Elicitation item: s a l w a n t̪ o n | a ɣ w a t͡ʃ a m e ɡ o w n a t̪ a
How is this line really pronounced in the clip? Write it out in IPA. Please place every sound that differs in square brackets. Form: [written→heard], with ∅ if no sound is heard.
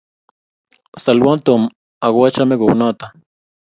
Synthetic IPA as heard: s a l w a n t̪ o [n→m] | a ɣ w a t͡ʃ a m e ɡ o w n a t̪ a